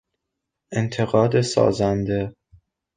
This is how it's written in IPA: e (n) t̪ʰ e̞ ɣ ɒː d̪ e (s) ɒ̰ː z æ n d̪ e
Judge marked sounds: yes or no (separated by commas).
yes, yes